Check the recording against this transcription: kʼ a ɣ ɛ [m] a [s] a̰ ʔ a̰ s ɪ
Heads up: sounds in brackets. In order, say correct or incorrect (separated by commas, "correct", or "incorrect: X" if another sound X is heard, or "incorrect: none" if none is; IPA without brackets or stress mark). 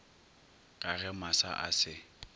correct, correct